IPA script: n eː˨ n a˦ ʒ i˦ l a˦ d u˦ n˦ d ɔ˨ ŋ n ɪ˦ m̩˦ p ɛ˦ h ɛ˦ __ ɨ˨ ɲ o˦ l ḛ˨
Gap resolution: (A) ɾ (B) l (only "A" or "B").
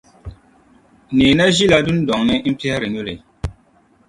A